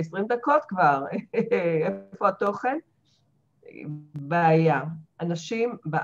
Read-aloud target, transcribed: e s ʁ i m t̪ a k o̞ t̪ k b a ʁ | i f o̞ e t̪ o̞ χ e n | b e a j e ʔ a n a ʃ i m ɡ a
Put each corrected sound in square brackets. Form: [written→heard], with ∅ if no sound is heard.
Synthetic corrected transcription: e s ʁ i m [t̪→d̪] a k o̞ t̪ k [b→v] a ʁ | [i→e] f o̞ [e→a] t̪ o̞ χ e n | b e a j [e→a] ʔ a n a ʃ i m [ɡ→b] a